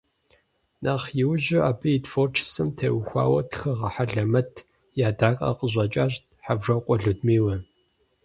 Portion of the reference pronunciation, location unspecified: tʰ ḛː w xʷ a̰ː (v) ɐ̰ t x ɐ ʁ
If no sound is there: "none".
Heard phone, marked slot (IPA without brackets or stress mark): w